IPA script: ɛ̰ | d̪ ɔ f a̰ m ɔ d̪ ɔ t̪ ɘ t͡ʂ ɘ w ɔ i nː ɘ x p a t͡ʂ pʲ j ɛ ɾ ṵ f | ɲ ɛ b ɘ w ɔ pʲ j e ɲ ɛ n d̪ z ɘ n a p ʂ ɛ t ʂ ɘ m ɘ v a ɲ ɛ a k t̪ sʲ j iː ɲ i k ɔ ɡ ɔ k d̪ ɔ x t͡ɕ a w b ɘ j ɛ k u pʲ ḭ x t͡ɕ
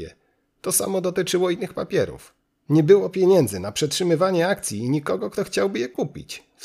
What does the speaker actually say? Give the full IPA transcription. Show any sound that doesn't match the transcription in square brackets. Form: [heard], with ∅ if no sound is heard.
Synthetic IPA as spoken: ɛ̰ | [t̪] ɔ [s] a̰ m ɔ d̪ ɔ t̪ ɘ t͡ʂ ɘ w ɔ i nː ɘ x p a [∅] pʲ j ɛ ɾ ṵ f | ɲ ɛ b ɘ w ɔ pʲ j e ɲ ɛ n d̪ z ɘ n a p ʂ ɛ t ʂ ɘ m ɘ v a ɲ ɛ a k t̪ sʲ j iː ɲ i k ɔ ɡ ɔ k [t̪] ɔ x t͡ɕ a w b ɘ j ɛ k u pʲ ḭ [∅] t͡ɕ